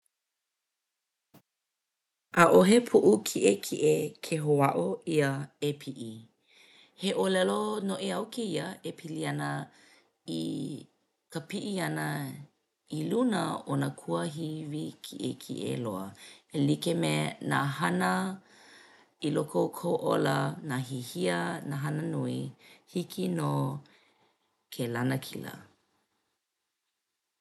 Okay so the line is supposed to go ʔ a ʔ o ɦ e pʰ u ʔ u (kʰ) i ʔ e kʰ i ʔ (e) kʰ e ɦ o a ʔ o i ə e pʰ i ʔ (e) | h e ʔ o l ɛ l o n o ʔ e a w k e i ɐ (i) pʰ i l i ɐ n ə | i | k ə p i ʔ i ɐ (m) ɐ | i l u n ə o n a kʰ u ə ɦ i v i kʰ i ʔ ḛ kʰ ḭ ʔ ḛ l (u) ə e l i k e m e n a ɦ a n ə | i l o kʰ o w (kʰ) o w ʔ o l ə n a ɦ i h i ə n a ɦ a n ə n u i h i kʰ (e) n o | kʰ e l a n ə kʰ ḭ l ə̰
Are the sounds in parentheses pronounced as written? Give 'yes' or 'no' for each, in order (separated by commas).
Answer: yes, yes, no, no, no, no, yes, no